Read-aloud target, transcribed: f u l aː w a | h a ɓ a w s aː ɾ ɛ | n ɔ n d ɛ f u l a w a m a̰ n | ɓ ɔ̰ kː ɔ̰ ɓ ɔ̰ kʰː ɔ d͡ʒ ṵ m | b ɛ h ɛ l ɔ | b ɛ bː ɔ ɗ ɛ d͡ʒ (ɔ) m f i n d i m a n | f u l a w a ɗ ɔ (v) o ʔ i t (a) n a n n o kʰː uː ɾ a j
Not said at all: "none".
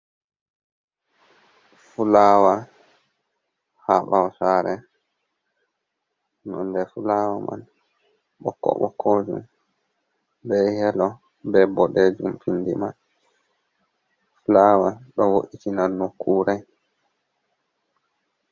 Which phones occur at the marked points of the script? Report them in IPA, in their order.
u, w, i

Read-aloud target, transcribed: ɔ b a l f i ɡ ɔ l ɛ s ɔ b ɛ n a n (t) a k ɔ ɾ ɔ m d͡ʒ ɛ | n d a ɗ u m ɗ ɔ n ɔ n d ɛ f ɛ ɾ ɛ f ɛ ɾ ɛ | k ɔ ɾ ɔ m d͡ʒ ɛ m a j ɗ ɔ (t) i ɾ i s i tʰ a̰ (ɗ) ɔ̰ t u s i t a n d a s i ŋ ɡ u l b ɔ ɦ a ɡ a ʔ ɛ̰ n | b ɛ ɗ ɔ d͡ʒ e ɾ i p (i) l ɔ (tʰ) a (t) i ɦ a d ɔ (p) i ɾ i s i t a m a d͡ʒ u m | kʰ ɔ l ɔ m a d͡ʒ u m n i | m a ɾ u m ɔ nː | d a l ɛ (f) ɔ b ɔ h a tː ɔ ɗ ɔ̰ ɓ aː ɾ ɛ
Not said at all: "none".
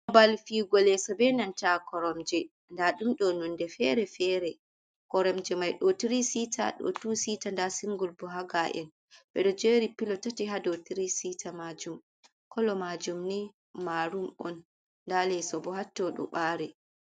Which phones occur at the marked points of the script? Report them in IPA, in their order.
t, t, ɗ, i, t, t, t, s

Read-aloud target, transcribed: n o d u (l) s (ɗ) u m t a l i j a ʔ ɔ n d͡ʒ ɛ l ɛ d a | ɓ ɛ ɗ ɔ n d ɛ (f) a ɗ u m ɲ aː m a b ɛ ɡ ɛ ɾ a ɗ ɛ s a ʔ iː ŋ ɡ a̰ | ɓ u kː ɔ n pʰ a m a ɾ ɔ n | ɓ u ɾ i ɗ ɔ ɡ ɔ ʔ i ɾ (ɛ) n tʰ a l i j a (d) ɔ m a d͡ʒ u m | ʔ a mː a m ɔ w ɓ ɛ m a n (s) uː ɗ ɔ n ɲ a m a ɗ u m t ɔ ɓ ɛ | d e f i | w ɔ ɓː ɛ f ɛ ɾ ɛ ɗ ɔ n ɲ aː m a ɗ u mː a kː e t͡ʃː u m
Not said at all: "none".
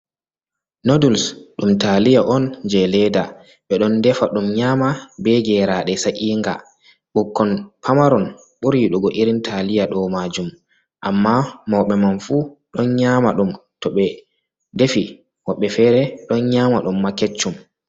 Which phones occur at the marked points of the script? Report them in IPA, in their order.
l, ɗ, f, i, ɗ, f

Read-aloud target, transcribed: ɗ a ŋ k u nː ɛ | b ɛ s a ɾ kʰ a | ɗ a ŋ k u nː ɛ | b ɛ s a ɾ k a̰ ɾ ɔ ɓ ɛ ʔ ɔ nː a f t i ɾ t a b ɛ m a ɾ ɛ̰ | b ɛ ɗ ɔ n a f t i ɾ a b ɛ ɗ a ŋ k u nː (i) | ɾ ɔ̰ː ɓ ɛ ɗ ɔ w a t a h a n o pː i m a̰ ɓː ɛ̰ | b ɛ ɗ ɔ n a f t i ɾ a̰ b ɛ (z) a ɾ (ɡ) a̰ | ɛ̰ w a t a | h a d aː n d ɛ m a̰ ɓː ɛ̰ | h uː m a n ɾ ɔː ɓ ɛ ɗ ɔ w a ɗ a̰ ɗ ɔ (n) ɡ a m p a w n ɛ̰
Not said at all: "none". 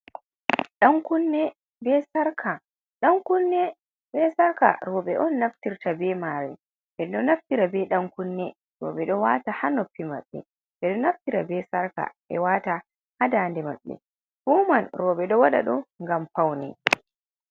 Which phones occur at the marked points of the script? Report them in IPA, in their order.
ɛ, s, k, ŋ

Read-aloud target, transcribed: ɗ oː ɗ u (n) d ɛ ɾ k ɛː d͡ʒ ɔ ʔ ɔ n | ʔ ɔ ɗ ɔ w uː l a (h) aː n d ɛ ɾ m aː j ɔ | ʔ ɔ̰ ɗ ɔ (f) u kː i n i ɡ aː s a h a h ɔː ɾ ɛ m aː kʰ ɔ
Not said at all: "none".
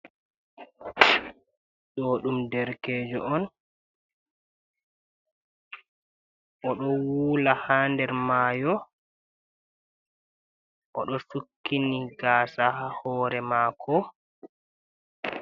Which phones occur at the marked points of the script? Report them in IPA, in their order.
m, h, s

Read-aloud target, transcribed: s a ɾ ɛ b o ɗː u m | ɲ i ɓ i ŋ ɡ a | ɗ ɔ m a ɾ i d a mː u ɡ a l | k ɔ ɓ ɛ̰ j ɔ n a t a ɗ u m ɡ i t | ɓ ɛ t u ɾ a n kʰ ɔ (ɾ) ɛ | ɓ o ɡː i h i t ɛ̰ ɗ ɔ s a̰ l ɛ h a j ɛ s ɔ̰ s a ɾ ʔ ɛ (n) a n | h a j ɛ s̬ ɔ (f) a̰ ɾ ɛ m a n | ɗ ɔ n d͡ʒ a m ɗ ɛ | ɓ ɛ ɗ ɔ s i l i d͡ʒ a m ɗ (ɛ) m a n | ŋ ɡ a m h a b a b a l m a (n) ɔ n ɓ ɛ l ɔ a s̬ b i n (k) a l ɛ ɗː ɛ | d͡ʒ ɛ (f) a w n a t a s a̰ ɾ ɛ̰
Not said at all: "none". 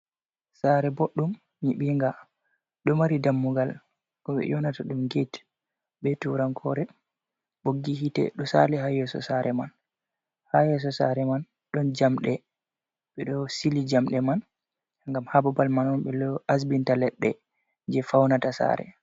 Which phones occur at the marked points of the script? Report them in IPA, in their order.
ɾ, m, s, ɛ, n, t, f

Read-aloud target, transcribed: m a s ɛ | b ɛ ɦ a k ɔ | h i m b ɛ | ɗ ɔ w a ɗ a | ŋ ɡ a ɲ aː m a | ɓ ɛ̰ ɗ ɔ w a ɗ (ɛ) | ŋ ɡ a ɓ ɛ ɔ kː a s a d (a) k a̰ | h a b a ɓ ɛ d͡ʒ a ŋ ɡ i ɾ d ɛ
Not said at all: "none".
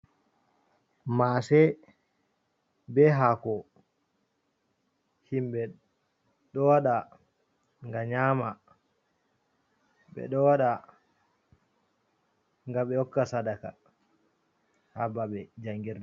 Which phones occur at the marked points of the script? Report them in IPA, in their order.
a, a

